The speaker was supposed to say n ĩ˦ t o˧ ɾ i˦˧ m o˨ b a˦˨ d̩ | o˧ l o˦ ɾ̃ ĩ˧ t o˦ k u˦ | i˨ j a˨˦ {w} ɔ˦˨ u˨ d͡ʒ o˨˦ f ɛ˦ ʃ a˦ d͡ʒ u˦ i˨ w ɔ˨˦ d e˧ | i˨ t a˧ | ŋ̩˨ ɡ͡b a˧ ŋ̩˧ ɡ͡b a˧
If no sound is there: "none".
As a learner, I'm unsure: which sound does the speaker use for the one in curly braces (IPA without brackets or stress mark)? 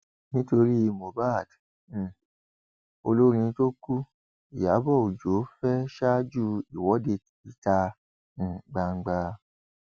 b